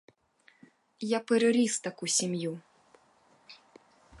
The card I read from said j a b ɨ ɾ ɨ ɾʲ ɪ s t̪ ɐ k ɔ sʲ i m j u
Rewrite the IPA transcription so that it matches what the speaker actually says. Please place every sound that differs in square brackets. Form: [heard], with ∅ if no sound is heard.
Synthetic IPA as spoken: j a [p] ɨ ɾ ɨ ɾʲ [i] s t̪ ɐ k [u] sʲ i m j u